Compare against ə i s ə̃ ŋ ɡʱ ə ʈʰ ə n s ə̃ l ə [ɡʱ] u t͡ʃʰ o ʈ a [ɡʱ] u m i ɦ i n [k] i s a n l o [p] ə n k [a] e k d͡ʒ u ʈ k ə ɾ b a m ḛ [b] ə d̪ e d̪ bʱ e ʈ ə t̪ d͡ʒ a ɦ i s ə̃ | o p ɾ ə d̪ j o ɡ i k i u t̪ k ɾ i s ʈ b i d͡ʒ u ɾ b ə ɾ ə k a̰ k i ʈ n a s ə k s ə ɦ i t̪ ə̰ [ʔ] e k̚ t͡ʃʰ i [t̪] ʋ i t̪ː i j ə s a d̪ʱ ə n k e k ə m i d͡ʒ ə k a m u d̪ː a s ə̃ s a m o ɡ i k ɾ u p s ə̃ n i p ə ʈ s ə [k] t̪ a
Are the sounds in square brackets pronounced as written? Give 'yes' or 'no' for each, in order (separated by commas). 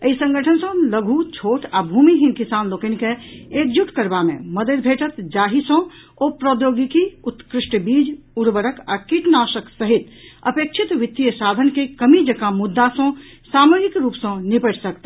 yes, no, yes, no, no, no, no, yes, yes